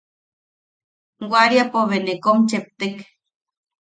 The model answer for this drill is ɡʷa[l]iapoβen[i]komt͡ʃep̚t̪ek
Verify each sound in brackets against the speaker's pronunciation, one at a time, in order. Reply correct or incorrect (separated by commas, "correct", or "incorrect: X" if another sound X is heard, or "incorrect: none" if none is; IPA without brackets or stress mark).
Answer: incorrect: ɾ, incorrect: e